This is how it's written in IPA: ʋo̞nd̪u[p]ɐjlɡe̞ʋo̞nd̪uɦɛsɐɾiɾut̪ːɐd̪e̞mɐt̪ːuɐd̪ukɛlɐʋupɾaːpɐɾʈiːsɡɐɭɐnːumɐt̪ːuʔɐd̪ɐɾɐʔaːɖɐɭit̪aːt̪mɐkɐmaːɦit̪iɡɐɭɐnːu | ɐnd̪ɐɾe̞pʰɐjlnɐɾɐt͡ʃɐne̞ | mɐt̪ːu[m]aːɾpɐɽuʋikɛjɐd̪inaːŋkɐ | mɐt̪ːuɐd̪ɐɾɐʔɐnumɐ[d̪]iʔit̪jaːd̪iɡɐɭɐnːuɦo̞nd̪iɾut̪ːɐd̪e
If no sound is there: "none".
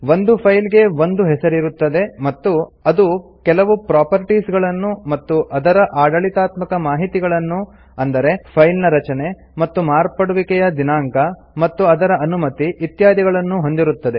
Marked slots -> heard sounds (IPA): pʰ, m, t̪

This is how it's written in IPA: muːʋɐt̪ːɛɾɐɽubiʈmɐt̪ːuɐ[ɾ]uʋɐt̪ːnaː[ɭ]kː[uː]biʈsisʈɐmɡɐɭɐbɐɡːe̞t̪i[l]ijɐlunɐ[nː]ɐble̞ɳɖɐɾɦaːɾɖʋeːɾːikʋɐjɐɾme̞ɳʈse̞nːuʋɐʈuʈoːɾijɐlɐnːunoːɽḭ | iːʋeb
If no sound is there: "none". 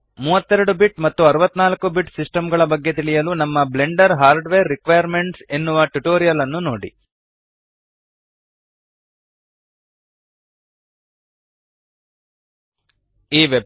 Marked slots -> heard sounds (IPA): ɾ, l, u, ɭ, mː

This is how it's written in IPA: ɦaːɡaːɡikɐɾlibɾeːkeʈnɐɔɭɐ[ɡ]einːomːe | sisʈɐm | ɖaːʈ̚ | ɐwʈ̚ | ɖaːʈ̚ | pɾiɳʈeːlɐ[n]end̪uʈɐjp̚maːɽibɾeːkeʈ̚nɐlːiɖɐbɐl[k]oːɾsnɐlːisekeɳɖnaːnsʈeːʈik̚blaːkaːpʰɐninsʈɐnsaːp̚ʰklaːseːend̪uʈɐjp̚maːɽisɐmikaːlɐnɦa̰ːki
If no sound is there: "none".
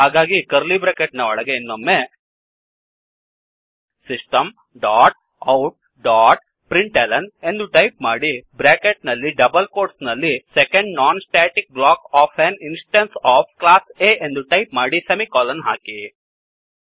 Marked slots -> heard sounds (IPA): ɡ, n, k

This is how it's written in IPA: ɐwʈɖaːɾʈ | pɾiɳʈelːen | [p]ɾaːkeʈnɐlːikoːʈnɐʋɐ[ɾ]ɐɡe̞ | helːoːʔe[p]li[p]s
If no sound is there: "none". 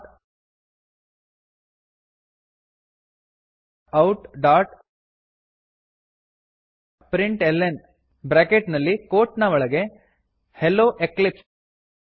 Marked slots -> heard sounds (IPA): b, ɭ, k, p

